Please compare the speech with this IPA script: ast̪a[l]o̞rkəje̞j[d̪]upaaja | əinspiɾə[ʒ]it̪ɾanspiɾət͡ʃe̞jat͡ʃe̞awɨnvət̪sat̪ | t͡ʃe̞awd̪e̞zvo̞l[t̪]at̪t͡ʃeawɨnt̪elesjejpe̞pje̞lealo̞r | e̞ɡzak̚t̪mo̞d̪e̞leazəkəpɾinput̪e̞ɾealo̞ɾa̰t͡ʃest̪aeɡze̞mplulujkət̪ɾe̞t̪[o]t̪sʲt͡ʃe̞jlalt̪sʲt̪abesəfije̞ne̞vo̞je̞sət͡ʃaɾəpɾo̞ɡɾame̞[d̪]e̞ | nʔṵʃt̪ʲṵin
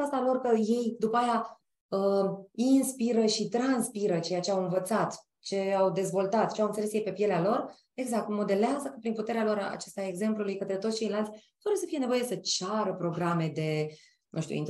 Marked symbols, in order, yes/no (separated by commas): yes, yes, no, yes, yes, yes